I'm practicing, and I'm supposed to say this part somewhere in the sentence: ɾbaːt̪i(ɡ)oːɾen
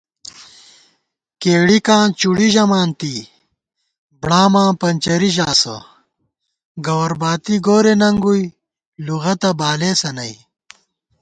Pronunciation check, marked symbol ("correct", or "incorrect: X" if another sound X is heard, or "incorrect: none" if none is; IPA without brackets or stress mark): correct